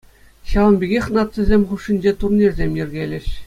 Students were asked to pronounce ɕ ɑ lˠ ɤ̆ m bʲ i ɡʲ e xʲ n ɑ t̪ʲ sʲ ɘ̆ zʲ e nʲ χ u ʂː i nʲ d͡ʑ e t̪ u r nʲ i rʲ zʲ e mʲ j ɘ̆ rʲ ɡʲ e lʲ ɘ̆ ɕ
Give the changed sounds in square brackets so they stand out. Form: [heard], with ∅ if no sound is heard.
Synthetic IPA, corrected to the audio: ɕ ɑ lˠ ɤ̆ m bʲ i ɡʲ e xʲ n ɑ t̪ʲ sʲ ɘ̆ zʲ e [mʲ] χ u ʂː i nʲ d͡ʑ e t̪ u r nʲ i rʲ zʲ e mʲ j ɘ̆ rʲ ɡʲ e lʲ ɘ̆ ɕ